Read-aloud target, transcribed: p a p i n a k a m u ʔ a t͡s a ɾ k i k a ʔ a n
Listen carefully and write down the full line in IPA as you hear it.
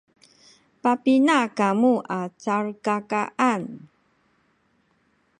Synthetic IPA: p a p i n a k a m u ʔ a t͡s a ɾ k a k a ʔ a n